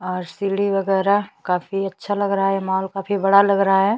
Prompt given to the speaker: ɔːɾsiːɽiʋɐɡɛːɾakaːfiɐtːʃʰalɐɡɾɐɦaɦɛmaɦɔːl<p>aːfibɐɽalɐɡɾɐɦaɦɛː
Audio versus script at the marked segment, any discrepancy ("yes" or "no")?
yes